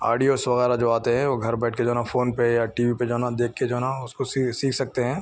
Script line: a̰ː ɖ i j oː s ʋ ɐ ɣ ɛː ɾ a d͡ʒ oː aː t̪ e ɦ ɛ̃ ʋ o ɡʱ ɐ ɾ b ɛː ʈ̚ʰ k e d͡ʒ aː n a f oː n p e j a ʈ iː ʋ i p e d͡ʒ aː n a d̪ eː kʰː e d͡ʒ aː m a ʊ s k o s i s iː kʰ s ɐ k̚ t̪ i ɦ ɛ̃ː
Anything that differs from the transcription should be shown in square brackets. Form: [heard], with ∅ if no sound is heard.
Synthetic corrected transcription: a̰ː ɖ i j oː s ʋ ɐ ɣ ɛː ɾ a d͡ʒ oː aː t̪ e ɦ ɛ̃ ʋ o ɡʱ ɐ ɾ b ɛː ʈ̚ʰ k e d͡ʒ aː n a f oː n p e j a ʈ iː ʋ i p e d͡ʒ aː n a d̪ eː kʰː e d͡ʒ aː [n] a ʊ s k o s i s iː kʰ s ɐ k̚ t̪ [e] ɦ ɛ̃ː